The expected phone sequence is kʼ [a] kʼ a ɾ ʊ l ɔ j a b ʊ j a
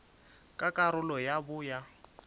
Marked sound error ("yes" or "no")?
no